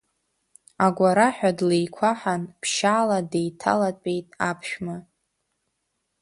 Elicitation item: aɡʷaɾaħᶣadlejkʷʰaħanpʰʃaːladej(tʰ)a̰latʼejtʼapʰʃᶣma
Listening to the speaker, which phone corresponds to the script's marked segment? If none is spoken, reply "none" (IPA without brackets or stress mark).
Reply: tʰ